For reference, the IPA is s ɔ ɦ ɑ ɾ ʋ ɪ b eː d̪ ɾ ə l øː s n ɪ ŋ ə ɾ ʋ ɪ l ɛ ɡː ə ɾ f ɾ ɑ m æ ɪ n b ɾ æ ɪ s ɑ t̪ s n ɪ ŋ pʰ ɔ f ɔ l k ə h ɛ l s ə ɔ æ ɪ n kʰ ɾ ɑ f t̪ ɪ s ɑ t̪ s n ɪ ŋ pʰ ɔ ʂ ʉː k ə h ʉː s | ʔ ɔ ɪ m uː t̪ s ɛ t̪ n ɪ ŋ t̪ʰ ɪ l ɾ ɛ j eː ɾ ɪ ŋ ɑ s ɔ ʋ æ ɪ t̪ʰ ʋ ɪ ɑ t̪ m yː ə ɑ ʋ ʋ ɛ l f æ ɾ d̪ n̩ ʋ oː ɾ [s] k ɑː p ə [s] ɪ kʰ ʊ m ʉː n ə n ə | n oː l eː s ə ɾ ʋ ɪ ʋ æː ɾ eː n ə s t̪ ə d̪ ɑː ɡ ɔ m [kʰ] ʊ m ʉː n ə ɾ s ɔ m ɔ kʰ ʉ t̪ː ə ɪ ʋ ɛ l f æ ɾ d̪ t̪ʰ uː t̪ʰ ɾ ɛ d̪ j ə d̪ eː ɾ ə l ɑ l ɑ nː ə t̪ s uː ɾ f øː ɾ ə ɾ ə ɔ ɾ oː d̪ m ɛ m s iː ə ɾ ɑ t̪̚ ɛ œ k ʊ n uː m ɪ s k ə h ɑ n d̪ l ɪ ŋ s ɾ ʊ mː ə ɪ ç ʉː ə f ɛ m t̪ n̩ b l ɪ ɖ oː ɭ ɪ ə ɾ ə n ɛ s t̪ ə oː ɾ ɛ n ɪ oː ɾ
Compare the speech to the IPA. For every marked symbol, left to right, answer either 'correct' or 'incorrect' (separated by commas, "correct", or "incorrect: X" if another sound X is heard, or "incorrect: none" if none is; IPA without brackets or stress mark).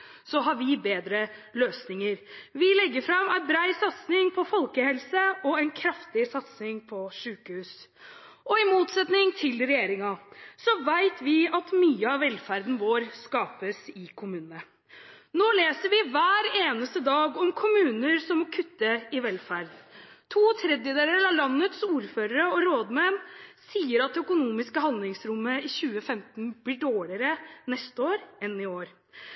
correct, correct, correct